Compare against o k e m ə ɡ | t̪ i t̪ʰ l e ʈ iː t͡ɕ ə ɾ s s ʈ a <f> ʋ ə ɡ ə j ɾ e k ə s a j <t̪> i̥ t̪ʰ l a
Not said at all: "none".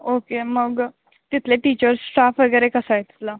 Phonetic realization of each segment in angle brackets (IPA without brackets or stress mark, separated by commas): f, t̪